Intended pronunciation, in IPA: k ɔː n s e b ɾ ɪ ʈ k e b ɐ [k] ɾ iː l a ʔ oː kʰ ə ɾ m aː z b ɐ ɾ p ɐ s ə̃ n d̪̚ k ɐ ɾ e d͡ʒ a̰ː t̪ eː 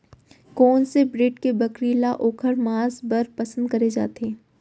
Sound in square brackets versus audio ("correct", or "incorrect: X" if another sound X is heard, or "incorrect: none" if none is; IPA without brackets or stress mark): correct